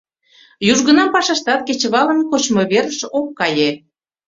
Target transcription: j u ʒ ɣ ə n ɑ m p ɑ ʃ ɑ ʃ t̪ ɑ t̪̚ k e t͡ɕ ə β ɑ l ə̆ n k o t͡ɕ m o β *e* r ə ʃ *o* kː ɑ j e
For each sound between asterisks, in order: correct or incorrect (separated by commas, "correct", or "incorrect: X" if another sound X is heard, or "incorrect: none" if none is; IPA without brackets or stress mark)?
correct, correct